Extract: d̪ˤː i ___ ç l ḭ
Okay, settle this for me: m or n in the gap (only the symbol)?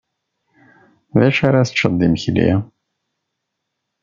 m